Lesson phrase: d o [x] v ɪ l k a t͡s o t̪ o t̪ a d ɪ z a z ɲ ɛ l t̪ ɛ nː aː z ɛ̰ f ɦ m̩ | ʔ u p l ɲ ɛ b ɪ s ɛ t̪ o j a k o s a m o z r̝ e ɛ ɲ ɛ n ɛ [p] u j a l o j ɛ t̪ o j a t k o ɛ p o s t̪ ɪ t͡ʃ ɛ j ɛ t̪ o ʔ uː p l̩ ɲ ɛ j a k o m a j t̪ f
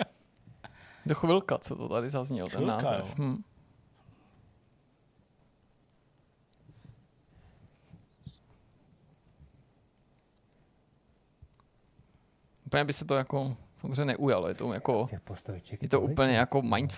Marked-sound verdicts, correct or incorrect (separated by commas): correct, incorrect